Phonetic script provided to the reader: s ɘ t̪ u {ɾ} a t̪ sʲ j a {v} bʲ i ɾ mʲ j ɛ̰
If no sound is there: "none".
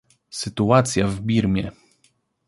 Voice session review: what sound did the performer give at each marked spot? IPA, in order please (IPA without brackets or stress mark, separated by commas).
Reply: none, v